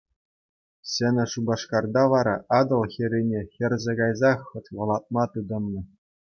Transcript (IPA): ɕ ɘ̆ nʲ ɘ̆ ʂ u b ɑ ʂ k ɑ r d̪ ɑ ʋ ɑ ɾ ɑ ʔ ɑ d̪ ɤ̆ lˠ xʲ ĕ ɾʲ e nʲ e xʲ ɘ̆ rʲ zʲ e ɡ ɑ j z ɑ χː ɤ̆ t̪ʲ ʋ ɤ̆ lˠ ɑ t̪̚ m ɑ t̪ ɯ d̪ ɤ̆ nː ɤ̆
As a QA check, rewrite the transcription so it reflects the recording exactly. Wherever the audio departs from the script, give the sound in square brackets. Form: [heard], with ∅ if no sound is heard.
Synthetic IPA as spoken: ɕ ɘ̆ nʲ ɘ̆ ʂ u b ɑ ʂ k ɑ r d̪ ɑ ʋ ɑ ɾ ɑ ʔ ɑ d̪ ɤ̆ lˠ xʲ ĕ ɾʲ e nʲ e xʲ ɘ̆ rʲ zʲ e ɡ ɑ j z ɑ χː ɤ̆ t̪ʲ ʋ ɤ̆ lˠ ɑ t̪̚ m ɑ t̪ ɯ d̪ ɤ̆ nː ɤ̆